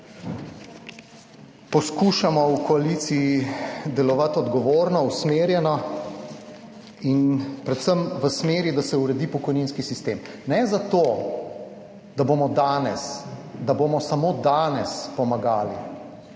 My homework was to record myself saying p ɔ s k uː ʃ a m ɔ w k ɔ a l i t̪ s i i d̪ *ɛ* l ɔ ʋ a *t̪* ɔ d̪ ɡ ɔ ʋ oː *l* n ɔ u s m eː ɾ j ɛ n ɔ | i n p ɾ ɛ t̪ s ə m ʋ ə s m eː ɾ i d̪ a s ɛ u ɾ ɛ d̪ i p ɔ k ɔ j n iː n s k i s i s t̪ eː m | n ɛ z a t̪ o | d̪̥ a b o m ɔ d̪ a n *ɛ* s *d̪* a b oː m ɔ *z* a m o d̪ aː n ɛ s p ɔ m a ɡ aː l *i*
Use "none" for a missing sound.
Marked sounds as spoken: ɛ, t̪, ɾ, ɛ, d̪, s, i

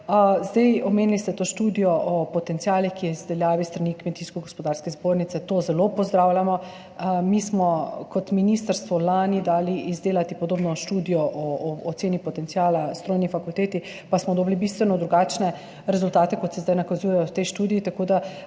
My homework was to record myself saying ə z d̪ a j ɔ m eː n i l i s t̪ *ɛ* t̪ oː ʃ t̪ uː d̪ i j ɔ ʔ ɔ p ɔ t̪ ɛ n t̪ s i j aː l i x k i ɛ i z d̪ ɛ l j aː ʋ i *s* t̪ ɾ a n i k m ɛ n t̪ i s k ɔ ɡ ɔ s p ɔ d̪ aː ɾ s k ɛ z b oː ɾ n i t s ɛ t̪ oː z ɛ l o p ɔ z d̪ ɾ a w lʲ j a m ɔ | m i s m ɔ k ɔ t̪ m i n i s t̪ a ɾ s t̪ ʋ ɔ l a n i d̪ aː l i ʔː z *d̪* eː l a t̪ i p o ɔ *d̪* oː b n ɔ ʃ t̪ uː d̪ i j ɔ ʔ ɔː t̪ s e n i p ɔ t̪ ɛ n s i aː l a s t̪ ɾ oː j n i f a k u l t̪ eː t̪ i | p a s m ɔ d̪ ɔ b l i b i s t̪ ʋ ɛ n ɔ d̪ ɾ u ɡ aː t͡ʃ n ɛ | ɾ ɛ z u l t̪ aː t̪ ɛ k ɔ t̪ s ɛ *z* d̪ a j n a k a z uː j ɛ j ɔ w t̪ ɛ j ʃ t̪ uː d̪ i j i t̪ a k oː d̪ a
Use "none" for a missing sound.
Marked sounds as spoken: ɛ, s, d̪, d̪, z

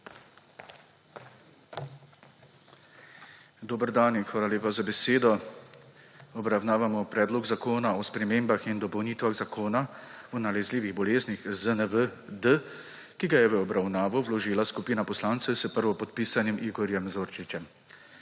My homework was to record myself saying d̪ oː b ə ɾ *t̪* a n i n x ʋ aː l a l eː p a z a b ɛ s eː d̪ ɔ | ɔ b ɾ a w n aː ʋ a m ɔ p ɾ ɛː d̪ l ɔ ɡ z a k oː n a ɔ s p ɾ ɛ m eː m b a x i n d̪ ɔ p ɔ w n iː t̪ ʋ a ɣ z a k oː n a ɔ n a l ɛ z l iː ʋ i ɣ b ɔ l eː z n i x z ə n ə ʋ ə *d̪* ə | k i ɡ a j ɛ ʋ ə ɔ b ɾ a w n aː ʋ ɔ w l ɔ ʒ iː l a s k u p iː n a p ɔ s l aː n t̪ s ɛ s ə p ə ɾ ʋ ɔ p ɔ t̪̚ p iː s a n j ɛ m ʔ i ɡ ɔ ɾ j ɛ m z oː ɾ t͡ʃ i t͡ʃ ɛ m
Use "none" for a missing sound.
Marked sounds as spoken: d̪, d̪

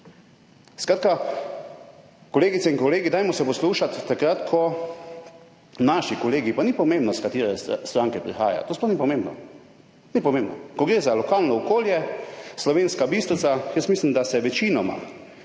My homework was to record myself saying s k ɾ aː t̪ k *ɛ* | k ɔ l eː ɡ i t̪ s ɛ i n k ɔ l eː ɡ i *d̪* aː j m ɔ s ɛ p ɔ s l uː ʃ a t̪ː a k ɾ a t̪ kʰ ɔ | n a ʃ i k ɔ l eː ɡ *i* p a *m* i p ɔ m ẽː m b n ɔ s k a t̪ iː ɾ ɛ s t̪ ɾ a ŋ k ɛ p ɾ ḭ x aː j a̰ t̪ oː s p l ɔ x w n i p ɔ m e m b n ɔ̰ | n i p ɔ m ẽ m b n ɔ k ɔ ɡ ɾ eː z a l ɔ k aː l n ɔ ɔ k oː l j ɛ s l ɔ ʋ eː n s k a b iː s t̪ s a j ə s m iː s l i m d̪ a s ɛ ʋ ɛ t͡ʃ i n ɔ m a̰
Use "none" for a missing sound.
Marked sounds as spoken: a, d̪, i, n

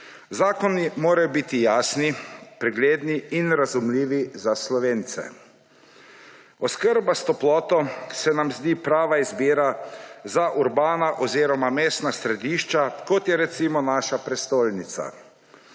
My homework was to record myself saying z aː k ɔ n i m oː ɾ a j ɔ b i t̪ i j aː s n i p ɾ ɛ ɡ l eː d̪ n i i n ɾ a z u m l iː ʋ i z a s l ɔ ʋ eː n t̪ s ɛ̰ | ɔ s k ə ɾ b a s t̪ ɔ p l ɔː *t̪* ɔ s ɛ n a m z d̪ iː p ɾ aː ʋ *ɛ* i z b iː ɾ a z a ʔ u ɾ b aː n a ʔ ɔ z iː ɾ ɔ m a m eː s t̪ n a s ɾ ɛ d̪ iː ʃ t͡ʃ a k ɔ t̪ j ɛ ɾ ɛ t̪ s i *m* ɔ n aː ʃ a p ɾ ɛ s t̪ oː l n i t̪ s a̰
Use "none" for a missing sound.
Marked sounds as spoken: t̪, a, m

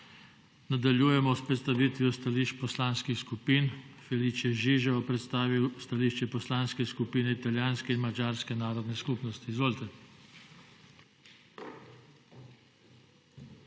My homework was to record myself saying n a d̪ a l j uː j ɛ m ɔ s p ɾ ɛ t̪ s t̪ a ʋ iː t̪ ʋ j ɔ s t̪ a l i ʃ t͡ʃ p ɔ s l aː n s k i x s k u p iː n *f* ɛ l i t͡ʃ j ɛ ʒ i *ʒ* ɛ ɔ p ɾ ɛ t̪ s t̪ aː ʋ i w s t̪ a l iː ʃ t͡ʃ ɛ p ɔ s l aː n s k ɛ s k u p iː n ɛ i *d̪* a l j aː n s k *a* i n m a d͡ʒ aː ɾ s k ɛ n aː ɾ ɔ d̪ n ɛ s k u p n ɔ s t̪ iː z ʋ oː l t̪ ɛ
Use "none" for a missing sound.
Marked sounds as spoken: f, ʒ, t̪, ɛ

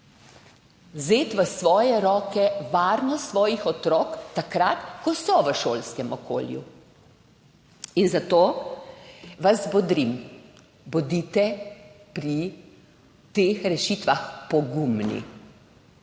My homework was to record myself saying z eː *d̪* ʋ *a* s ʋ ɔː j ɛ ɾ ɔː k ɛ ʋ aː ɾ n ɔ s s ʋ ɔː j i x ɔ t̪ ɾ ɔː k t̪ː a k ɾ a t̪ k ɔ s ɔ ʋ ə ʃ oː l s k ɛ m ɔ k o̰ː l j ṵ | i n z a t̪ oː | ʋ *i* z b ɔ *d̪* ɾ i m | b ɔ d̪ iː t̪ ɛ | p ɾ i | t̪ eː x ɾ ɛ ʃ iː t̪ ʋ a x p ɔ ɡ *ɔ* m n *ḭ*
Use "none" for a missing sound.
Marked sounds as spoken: t̪, ə, a, d̪, u, ḭ

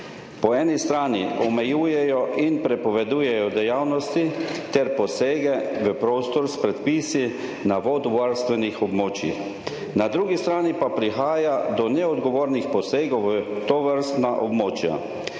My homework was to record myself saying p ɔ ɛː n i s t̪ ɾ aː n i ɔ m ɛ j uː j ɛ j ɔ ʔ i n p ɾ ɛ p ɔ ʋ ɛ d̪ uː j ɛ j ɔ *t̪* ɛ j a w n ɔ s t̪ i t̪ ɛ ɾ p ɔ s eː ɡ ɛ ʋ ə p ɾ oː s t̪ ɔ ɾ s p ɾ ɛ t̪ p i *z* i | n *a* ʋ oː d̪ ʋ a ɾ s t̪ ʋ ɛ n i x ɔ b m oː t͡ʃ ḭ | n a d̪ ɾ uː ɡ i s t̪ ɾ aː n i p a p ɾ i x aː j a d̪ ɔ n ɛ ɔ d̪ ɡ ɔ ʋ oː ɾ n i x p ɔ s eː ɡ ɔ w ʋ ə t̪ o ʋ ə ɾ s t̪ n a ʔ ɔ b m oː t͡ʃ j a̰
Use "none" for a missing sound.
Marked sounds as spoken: d̪, s, a

